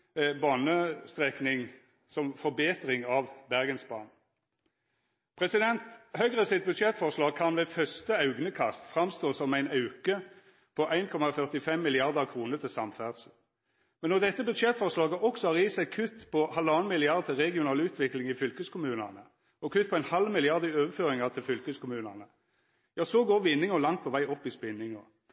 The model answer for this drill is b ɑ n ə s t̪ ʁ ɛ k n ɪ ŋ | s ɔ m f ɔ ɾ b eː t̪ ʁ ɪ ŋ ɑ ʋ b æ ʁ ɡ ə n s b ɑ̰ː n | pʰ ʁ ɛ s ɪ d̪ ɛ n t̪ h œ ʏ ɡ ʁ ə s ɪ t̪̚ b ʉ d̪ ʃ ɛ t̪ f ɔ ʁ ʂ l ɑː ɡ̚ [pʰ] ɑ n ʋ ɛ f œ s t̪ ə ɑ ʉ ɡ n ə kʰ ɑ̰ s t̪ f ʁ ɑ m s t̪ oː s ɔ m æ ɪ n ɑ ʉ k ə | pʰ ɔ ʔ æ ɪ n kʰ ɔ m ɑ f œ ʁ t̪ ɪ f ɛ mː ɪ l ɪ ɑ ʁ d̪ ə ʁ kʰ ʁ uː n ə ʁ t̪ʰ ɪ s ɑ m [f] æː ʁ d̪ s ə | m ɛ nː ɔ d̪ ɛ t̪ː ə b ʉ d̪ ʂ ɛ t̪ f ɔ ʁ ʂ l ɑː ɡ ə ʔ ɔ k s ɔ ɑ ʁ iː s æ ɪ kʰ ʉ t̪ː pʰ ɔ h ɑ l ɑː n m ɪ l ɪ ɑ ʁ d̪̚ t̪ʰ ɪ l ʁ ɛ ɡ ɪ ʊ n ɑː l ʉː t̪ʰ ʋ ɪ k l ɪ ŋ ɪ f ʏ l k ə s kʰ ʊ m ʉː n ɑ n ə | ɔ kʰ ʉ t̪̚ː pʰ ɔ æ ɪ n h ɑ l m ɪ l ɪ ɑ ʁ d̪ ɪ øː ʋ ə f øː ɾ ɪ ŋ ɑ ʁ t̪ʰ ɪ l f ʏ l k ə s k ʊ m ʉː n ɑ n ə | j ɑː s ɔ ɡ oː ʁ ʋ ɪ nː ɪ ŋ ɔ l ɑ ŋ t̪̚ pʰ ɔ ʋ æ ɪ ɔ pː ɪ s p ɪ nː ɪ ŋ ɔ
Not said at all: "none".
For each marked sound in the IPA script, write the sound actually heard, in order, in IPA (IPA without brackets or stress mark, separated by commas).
kʰ, f